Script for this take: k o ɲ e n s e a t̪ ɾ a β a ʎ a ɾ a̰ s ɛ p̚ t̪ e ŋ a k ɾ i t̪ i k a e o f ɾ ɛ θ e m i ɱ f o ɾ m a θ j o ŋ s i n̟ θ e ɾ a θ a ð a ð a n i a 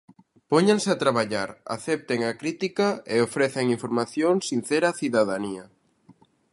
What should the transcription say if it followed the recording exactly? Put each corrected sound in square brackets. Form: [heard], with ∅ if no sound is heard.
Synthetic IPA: [p] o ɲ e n s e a t̪ ɾ a β a ʎ a ɾ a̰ [θ] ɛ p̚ t̪ e ŋ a k ɾ i t̪ i k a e o f ɾ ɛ θ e [ŋ] i ɱ f o ɾ m a θ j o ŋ s i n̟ θ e ɾ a θ [i] ð a ð a n i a